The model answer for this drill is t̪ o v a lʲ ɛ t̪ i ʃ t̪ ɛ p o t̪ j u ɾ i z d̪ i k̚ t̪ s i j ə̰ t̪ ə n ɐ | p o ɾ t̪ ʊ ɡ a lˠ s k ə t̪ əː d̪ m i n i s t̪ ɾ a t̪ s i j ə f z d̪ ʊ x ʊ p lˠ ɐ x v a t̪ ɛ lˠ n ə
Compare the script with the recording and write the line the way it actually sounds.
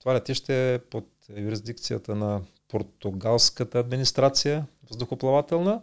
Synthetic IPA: t̪ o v a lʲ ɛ t̪ i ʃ t̪ ɛ p o t̪ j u ɾ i z d̪ i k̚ t̪ s i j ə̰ t̪ ə n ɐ | p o ɾ t̪ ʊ ɡ a lˠ s k ə t̪ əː d̪ m i n i s t̪ ɾ a t̪ s i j ə v z d̪ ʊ x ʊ p lˠ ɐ v a t̪ ɛ lˠ n ə